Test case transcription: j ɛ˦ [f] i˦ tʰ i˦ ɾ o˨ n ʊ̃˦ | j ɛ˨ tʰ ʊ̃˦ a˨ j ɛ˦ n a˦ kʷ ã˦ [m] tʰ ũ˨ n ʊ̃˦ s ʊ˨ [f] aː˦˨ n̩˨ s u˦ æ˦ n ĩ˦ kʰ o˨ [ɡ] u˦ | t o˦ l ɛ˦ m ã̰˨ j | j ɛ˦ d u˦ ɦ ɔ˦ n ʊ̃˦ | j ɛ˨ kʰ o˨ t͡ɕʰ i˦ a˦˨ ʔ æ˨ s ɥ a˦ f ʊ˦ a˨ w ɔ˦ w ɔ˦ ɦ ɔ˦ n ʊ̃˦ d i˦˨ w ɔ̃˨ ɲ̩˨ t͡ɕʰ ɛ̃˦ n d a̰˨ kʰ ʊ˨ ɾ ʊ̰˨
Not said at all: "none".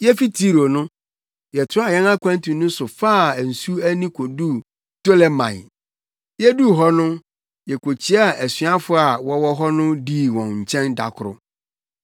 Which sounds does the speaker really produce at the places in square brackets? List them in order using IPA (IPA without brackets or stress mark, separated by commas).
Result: f, n, f, d